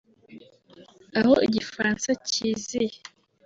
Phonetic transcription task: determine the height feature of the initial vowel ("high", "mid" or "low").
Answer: low